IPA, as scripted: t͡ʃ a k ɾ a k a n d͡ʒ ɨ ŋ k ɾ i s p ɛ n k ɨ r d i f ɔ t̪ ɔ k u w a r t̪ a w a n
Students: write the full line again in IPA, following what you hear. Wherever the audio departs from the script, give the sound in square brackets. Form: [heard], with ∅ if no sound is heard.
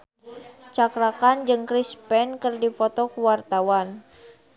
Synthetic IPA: t͡ʃ a k ɾ a k a n d͡ʒ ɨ ŋ k ɾ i s p ɛ n k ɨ r d i f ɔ t̪ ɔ k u w a r t̪ a w a n